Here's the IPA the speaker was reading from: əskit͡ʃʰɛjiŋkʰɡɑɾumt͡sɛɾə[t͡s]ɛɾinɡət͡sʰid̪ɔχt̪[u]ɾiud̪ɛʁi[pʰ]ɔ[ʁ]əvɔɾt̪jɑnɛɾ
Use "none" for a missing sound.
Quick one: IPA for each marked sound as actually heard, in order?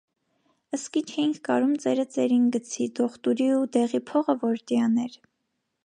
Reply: t͡s, u, pʰ, ʁ

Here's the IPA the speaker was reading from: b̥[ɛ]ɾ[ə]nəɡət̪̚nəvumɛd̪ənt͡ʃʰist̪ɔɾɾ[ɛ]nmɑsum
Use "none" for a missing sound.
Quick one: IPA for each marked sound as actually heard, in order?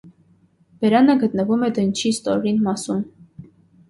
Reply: ɛ, ɑ, i

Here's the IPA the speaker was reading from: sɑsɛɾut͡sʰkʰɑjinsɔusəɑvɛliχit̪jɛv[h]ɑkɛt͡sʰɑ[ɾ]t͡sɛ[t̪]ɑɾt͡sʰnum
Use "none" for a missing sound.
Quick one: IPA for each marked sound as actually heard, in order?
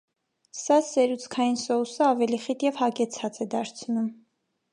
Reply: h, none, d̪

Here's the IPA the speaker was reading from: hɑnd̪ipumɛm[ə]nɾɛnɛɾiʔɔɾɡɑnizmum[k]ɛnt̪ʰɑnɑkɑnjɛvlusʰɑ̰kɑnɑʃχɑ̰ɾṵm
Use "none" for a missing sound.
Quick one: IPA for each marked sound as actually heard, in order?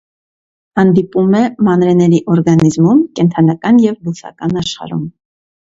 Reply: ɑ, k

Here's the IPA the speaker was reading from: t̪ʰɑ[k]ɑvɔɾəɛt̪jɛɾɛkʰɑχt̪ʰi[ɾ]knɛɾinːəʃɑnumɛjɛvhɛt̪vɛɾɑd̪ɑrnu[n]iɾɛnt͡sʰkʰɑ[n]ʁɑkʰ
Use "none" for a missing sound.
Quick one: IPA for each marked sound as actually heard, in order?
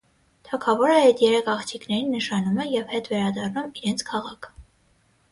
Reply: kʰ, none, m, none

